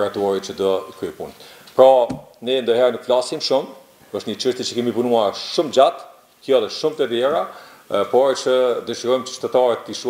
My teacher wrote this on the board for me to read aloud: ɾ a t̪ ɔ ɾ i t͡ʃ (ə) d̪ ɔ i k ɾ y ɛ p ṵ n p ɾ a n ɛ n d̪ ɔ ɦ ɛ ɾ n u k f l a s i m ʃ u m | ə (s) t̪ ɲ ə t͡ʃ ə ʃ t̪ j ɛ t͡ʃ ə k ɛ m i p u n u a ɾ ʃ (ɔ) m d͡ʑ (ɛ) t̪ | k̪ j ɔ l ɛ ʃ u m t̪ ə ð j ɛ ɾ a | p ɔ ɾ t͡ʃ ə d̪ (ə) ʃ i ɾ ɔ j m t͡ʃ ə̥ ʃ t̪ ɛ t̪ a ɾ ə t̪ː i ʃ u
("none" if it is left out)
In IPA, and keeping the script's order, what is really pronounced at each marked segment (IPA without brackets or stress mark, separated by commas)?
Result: ə, ʃ, u, a, ə